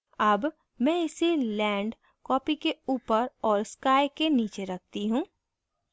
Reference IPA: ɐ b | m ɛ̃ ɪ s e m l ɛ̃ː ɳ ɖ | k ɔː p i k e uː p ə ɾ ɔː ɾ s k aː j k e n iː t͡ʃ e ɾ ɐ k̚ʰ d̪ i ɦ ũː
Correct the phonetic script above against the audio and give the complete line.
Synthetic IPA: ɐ b | m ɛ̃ ɪ s e l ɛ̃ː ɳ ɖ | k ɔː p i k e uː p ə ɾ ɔː ɾ s k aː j k e n iː t͡ʃ e ɾ ɐ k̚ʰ t̪ i ɦ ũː